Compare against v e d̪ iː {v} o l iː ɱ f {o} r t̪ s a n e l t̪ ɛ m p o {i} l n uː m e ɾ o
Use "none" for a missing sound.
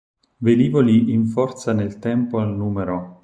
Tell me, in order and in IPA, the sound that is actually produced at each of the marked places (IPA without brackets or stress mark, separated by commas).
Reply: v, ɔ, a